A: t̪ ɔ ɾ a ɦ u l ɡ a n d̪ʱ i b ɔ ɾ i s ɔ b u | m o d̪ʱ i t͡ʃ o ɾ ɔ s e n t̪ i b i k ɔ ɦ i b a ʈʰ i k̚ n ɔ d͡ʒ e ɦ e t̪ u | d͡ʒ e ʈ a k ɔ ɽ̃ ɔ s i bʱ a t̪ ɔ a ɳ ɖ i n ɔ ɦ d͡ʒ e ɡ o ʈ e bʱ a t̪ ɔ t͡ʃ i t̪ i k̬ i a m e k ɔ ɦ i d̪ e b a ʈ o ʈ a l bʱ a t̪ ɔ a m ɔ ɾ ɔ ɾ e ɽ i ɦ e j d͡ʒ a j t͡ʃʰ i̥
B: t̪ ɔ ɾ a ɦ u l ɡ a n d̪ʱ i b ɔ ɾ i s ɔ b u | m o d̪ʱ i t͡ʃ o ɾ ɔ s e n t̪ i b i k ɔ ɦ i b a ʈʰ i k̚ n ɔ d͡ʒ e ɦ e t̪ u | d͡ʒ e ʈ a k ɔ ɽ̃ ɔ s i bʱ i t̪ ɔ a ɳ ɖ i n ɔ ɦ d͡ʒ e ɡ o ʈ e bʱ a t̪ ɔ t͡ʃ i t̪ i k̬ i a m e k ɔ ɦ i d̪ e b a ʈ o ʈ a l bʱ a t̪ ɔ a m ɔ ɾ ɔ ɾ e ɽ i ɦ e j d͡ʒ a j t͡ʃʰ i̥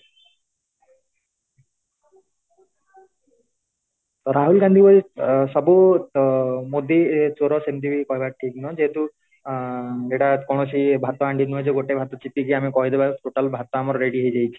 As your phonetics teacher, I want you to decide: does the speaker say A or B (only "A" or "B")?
A